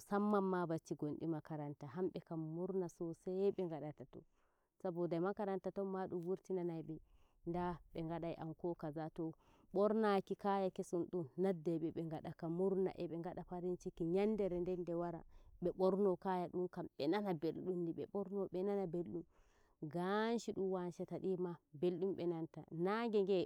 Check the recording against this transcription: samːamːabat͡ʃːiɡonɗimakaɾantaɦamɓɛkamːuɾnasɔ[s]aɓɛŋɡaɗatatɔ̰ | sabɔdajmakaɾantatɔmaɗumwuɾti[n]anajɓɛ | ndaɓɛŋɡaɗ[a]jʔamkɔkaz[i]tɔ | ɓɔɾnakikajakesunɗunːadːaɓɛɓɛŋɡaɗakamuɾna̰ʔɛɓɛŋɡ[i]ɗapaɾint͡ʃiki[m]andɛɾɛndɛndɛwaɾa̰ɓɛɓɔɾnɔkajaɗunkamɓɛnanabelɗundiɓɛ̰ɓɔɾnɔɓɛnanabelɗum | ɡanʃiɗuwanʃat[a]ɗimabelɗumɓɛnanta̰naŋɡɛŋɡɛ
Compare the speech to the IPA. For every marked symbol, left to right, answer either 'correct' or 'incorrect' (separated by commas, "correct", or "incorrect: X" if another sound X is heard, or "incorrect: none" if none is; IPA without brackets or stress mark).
correct, correct, correct, incorrect: a, incorrect: a, incorrect: ɲ, correct